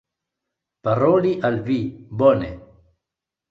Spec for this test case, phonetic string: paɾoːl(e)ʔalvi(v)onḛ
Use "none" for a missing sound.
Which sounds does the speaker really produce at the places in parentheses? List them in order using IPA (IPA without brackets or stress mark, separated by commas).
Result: i, b